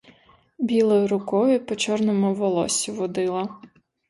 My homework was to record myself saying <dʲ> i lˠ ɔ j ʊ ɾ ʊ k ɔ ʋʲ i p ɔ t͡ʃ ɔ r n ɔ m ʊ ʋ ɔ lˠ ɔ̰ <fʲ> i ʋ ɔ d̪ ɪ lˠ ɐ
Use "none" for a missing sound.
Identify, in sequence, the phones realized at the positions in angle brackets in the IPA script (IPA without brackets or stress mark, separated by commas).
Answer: bʲ, sʲ